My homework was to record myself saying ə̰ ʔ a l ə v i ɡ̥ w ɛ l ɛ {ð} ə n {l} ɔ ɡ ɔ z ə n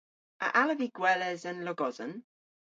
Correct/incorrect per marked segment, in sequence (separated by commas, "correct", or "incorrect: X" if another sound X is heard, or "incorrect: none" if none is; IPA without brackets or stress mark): incorrect: z, correct